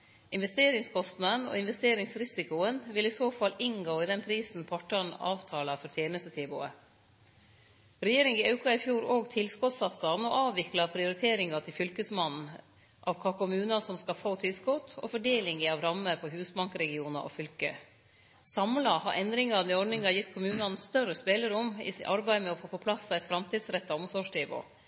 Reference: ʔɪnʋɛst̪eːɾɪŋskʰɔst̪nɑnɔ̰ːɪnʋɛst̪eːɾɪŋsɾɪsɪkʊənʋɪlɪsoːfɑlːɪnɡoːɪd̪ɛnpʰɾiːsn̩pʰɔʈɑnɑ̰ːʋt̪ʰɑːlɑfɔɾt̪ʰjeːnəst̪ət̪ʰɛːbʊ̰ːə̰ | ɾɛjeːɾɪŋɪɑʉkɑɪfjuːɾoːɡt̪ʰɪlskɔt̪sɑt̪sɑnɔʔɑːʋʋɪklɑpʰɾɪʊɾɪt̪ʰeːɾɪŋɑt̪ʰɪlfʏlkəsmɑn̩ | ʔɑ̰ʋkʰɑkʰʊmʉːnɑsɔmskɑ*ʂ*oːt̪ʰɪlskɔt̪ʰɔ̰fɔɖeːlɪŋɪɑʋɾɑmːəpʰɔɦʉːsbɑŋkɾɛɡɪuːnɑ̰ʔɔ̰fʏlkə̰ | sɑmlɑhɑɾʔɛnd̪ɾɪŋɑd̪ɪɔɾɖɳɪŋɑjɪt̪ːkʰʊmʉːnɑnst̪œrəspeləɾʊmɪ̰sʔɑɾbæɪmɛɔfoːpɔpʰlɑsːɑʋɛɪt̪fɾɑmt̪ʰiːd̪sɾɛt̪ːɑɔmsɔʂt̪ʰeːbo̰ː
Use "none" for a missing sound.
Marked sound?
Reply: f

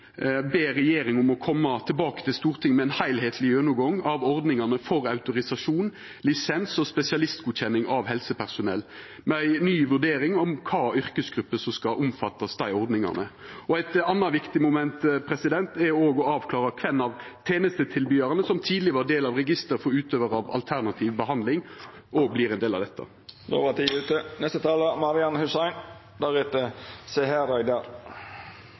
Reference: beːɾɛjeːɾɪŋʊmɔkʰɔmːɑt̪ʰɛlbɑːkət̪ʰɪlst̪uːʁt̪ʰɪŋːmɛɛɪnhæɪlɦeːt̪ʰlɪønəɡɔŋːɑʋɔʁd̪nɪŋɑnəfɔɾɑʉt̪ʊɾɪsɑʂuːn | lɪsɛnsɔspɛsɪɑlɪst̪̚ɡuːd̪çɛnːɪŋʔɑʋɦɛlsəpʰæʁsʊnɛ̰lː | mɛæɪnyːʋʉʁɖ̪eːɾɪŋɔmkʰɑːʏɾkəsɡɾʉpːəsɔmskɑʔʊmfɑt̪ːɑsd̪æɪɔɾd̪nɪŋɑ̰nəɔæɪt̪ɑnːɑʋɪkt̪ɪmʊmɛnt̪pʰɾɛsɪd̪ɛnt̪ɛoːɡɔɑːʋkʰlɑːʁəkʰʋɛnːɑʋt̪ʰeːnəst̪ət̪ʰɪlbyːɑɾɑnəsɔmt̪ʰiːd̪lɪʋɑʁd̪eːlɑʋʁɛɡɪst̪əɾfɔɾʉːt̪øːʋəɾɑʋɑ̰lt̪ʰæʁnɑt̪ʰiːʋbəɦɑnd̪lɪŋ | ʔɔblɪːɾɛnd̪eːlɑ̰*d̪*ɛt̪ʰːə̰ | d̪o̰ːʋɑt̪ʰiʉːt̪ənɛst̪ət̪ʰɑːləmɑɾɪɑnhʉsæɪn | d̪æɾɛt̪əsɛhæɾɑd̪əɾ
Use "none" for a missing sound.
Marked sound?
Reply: d̪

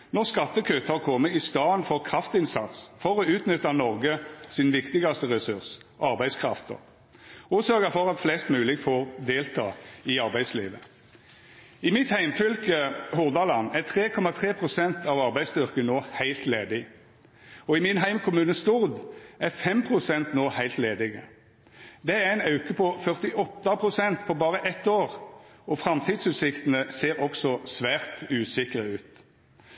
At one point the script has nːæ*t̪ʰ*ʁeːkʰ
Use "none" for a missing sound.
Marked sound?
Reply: t̪ʰ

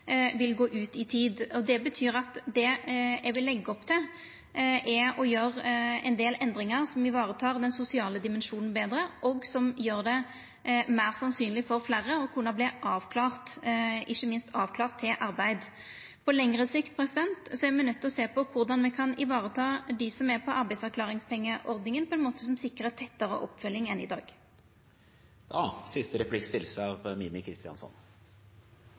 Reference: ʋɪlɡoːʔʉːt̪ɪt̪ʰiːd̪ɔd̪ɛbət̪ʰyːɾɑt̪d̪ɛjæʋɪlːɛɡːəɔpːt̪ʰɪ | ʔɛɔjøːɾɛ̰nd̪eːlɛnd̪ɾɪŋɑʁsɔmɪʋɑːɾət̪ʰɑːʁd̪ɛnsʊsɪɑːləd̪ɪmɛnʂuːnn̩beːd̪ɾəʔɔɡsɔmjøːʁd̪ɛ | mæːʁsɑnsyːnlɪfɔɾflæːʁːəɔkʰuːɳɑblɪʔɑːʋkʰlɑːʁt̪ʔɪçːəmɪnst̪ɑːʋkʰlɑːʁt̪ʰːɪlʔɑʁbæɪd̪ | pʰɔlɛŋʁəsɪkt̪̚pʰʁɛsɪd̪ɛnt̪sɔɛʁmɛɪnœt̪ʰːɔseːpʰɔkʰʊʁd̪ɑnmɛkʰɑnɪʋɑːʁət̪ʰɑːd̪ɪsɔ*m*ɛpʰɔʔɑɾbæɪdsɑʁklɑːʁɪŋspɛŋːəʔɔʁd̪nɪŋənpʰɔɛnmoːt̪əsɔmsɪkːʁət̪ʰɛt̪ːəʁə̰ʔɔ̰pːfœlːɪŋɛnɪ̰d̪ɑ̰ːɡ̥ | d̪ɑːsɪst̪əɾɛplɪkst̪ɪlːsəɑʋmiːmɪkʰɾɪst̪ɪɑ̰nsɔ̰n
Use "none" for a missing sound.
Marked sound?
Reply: m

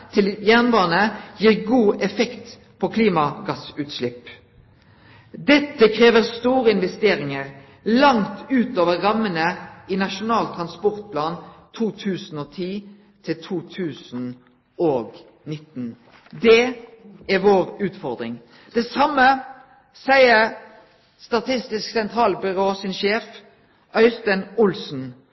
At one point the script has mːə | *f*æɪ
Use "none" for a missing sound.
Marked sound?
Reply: s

